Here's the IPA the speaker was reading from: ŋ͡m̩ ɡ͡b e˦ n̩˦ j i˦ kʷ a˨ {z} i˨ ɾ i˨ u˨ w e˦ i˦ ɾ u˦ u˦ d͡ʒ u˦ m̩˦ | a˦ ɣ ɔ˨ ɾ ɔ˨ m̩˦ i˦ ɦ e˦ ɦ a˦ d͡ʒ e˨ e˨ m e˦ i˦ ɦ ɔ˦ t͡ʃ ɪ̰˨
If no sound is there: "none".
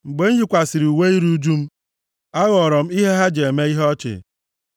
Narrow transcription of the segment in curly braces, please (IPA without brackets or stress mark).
s